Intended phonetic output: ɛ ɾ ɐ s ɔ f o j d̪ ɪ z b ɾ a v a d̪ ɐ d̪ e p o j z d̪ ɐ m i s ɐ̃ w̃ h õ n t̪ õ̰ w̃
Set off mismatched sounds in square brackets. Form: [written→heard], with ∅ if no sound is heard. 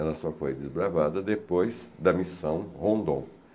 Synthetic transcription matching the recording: ɛ [ɾ→l] ɐ s ɔ f o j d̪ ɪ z b ɾ a v a d̪ ɐ d̪ e p o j z d̪ ɐ m i s ɐ̃ w̃ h õ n [t̪→d̪] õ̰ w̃